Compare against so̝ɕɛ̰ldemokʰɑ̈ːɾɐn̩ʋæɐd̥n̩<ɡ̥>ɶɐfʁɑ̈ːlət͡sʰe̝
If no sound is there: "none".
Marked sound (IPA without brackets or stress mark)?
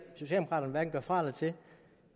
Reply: ɡ̥